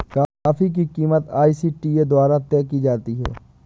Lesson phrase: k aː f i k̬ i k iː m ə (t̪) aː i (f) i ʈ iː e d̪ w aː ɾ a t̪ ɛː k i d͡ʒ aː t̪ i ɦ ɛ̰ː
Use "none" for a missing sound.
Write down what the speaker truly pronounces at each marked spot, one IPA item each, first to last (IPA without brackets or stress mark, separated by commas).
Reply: t̪, s